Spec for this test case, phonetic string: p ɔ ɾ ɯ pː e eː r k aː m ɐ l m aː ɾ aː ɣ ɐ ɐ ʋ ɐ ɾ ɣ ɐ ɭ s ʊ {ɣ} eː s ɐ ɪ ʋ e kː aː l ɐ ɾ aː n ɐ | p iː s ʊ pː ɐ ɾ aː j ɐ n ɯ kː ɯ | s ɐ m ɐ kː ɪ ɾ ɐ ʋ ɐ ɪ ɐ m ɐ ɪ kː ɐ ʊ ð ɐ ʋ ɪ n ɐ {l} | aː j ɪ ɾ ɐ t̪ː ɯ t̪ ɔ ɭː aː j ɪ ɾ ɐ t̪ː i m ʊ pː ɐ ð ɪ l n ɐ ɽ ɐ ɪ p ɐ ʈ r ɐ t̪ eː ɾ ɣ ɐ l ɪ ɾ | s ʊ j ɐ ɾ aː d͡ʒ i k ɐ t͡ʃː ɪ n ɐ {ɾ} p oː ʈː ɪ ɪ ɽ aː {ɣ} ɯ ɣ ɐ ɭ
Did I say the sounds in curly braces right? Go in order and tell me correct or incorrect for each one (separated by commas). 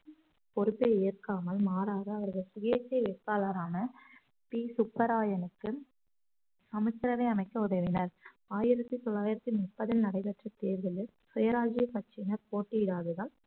correct, incorrect, correct, incorrect